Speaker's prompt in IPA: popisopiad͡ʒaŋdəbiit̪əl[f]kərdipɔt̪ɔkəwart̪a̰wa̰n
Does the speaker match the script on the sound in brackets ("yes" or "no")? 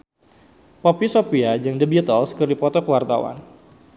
no